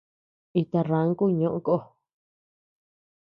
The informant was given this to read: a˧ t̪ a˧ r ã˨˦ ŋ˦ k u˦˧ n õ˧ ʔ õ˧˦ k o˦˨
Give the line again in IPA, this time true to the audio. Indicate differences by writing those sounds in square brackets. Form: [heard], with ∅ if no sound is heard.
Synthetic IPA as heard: [i˧] t̪ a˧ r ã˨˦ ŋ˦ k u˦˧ [ɲ] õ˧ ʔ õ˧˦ k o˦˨